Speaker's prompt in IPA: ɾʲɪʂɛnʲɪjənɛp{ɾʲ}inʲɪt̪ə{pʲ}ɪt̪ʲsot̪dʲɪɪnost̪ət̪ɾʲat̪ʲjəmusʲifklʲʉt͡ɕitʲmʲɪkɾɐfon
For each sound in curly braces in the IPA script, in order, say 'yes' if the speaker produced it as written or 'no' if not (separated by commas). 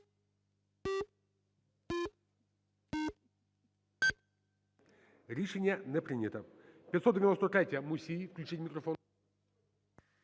yes, yes